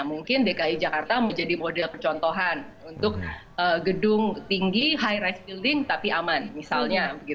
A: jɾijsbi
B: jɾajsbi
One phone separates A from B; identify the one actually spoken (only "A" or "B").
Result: B